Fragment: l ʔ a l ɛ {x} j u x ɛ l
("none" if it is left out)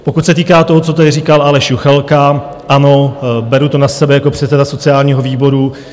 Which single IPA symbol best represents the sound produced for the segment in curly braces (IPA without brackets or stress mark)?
ʃ